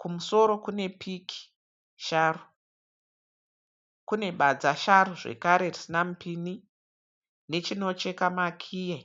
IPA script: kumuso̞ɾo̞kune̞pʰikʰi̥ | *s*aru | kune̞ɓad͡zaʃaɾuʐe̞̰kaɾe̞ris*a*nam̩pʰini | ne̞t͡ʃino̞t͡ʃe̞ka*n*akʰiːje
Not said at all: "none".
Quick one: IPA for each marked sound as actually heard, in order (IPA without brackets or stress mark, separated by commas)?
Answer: ʃ, i, m